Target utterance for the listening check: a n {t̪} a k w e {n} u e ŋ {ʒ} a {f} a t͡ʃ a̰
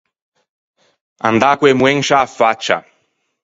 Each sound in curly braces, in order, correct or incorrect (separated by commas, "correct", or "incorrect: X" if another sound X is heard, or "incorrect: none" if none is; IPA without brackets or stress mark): incorrect: d̪, incorrect: m, incorrect: ʃ, correct